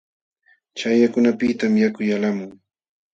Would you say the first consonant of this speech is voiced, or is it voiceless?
voiceless